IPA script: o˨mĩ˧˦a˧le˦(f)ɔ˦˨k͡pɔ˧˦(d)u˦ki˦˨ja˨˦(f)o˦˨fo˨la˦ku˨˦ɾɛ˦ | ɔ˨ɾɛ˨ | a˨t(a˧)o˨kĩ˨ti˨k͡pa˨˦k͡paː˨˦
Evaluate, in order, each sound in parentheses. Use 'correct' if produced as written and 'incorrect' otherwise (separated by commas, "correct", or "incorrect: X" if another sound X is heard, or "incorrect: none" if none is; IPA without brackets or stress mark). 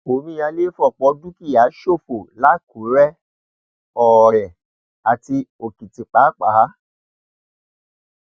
correct, correct, incorrect: ʃ, incorrect: i˧